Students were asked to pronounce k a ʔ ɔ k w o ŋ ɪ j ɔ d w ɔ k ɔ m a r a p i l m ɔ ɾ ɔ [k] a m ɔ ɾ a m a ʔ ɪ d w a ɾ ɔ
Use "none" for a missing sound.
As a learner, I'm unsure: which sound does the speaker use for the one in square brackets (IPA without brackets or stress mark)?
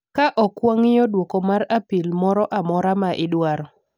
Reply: ʔ